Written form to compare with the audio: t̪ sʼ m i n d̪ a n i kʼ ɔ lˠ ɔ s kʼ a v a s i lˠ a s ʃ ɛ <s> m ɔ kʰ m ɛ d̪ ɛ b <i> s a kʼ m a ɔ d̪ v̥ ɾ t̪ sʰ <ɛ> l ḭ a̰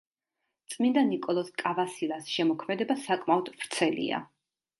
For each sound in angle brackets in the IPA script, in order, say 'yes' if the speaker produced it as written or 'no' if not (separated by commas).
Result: no, no, yes